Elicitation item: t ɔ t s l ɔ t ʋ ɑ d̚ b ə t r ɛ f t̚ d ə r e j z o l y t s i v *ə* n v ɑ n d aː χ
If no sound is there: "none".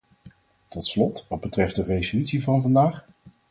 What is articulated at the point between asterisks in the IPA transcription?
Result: ɑ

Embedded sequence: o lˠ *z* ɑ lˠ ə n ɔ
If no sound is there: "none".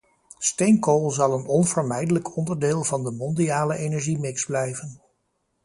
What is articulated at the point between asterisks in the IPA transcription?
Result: z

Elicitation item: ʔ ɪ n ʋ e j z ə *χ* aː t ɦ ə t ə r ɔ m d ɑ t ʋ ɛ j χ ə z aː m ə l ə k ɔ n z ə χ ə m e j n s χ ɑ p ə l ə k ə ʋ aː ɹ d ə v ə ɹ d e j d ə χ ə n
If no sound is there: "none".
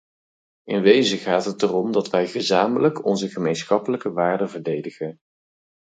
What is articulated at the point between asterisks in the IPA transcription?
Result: χ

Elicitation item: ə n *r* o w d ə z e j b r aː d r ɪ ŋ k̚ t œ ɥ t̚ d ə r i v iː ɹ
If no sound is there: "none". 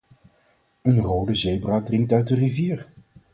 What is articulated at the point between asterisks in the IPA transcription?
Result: r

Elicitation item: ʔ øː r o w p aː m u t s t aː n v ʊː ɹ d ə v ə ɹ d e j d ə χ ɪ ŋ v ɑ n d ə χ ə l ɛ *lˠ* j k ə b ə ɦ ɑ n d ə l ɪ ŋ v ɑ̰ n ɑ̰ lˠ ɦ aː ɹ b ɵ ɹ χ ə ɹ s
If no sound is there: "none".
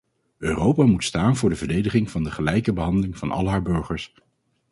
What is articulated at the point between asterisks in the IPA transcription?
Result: none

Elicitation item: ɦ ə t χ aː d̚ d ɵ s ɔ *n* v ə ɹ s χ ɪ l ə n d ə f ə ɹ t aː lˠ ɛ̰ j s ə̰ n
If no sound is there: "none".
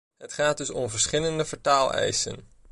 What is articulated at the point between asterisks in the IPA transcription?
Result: m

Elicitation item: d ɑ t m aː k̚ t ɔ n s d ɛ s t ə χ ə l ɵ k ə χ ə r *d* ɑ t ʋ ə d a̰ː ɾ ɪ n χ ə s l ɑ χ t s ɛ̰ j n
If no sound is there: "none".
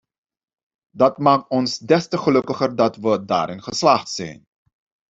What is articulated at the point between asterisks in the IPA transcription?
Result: d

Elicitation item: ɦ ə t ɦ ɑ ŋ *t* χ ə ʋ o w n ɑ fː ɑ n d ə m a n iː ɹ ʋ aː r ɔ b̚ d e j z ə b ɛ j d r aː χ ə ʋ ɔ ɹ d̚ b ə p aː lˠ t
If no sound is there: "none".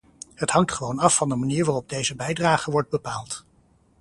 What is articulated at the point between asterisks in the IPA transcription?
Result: t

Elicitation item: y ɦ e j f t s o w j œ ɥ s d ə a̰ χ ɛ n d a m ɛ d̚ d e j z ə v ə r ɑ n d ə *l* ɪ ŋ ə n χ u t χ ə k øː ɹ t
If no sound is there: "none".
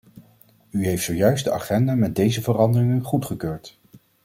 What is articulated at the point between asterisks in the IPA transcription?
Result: r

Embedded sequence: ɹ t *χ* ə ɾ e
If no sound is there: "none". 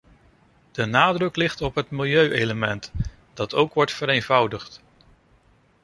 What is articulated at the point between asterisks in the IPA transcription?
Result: f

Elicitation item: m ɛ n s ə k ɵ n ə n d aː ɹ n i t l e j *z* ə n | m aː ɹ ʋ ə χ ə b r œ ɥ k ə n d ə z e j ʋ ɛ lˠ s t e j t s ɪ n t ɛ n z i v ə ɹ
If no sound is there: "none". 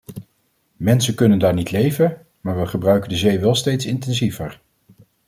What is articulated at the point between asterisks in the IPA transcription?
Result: v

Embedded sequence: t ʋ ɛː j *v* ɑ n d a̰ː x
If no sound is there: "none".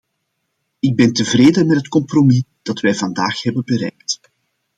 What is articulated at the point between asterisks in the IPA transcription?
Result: v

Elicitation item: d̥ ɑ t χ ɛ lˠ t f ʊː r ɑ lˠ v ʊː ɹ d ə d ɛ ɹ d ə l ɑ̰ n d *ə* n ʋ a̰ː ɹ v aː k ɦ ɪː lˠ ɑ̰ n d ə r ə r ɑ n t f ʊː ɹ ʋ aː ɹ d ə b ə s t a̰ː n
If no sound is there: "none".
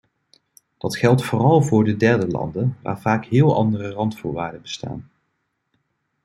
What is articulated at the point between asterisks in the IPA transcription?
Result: ə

